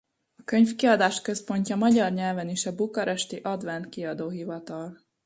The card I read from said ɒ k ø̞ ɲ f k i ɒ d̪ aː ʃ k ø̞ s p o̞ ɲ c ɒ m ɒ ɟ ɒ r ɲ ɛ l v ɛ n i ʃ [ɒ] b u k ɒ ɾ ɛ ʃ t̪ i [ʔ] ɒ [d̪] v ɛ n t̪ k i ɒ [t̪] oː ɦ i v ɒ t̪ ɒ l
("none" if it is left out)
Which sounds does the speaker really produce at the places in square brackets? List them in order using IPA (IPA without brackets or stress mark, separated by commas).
ɒ, ʔ, d̪, d̪